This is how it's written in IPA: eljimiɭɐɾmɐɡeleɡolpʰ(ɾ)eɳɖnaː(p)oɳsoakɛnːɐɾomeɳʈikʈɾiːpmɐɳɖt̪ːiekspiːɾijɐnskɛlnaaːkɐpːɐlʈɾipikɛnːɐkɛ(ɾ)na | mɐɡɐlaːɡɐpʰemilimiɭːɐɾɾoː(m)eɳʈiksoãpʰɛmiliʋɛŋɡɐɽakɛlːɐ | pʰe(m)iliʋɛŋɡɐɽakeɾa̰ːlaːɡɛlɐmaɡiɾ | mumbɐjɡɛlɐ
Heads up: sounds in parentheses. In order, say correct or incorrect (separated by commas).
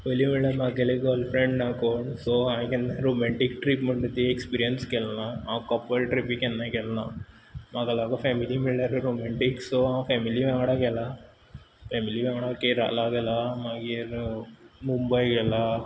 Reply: correct, incorrect, incorrect, correct, correct